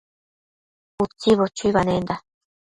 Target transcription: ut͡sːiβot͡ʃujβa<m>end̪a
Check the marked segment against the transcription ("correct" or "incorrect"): incorrect